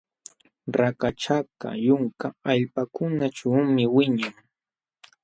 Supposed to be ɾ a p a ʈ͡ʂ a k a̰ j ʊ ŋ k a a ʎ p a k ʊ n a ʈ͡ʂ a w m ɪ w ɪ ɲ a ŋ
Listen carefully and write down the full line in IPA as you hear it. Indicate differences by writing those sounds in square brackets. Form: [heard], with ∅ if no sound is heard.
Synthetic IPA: ɾ a [k] a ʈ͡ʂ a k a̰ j ʊ ŋ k a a ʎ p a k ʊ n a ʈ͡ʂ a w m ɪ w ɪ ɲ a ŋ